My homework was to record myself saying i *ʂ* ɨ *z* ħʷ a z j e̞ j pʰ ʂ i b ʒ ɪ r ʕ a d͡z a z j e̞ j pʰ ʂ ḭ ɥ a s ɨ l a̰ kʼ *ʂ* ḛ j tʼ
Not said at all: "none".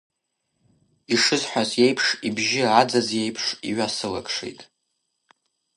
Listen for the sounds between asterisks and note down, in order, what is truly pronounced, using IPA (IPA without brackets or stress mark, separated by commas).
ʂ, z, ʂ